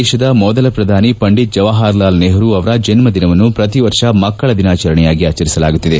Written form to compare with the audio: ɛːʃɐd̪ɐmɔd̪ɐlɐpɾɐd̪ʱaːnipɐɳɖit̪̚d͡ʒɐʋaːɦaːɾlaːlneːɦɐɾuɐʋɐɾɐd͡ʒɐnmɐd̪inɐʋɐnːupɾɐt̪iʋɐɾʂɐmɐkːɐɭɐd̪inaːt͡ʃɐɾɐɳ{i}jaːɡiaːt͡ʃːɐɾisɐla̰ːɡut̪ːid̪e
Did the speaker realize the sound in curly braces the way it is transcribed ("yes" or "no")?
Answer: no